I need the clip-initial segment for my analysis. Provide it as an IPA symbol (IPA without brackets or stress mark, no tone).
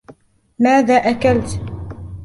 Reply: m